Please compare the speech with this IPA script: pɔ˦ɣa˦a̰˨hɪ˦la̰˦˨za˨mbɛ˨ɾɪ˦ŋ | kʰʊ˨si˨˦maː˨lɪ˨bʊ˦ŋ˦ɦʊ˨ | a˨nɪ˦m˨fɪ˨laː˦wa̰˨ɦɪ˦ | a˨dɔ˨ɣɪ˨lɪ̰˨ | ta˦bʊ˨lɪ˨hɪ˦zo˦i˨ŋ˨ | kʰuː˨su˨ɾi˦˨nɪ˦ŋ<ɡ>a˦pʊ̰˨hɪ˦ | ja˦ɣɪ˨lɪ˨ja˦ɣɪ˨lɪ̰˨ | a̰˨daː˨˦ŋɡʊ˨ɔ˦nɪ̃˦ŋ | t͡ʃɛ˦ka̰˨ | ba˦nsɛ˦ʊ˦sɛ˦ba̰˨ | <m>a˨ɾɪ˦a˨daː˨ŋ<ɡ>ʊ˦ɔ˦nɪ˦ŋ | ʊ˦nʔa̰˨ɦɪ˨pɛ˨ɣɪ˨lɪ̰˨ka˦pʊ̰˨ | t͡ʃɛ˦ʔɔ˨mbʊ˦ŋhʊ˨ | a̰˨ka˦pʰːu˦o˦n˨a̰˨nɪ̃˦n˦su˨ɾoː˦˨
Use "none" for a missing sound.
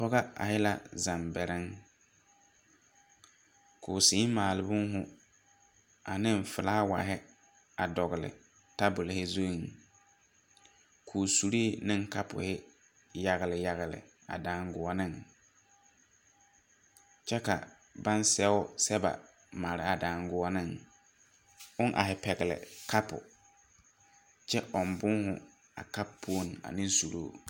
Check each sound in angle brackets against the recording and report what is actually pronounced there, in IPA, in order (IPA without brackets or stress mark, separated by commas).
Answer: k, m, ɡ